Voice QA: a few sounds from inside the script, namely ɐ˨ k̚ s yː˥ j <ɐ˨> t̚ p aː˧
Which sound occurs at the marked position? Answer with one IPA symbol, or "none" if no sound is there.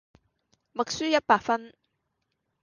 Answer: ɐ˥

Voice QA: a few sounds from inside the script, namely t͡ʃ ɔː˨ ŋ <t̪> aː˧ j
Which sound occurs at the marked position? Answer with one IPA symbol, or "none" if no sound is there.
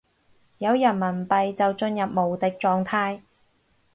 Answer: t̪ʰ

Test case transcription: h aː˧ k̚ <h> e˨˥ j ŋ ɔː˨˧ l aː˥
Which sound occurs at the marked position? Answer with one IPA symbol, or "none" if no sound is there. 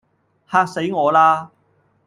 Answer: s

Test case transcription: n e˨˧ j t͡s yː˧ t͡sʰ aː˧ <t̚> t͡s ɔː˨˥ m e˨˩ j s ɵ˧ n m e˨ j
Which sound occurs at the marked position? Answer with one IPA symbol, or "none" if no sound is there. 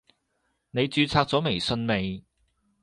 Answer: k̚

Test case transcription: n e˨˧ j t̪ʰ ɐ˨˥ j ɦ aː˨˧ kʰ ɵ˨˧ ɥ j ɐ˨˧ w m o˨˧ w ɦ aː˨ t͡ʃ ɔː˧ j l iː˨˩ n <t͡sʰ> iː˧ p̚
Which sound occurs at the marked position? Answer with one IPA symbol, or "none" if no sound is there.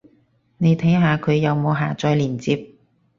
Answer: t͡s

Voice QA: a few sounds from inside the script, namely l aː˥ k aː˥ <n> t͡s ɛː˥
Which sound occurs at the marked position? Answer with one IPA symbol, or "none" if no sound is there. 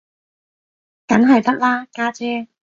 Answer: none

